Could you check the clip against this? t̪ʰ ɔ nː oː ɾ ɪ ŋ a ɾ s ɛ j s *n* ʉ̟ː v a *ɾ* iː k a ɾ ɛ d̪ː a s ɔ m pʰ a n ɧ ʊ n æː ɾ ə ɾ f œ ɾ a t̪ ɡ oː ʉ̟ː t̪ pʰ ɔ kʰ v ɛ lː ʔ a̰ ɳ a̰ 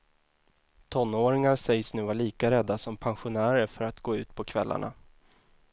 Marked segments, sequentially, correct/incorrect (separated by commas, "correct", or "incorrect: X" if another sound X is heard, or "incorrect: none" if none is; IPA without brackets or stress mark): correct, incorrect: ɭ